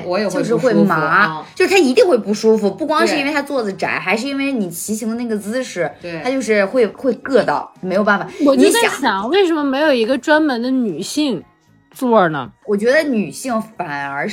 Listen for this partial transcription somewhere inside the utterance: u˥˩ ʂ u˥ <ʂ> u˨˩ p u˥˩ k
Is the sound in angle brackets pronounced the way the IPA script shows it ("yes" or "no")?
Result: no